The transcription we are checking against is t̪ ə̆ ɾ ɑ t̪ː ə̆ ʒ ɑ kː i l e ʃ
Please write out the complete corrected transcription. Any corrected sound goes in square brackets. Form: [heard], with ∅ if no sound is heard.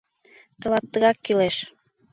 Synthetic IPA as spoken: t̪ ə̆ [l] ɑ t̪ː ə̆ [ɣ] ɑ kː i l e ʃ